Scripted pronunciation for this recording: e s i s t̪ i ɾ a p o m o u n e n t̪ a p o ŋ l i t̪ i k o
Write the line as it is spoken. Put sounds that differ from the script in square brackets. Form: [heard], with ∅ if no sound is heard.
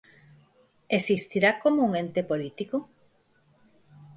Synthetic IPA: e s i s t̪ i ɾ a [k] o m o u [ŋ] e n t̪ [e] p o [∅] l i t̪ i k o